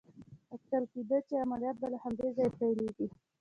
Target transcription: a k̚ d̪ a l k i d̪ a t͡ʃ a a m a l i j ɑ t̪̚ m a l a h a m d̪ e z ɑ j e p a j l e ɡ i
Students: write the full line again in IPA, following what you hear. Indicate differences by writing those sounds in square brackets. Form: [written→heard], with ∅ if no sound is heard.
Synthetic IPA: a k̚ [d̪→t̪] a l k i d̪ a t͡ʃ [a→e] a m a l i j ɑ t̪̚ [m→b] a l a h a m d̪ e z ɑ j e p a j l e ɡ i